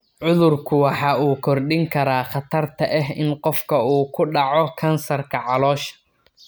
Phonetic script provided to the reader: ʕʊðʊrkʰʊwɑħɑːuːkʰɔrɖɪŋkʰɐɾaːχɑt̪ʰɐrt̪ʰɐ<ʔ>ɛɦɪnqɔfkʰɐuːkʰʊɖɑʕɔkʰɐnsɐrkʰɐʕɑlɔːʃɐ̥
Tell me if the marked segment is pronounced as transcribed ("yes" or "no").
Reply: yes